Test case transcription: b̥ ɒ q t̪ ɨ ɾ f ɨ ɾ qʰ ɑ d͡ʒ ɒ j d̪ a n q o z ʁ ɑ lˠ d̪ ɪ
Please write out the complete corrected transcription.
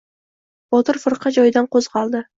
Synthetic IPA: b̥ ɒ t̪ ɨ ɾ f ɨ ɾ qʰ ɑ d͡ʒ ɒ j d̪ a n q o z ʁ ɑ lˠ d̪ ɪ